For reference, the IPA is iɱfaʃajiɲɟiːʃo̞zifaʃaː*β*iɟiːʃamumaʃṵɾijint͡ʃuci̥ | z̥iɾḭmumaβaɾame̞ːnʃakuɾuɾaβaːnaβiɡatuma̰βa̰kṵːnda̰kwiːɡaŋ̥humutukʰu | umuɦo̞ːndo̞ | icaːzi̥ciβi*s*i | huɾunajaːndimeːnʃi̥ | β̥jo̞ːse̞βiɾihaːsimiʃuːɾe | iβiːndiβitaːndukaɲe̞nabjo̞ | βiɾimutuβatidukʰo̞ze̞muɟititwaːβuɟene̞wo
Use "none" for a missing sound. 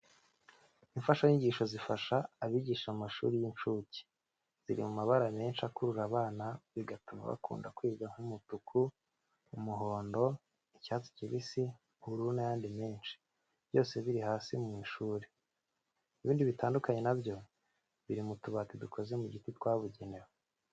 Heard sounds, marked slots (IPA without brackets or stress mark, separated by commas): β, s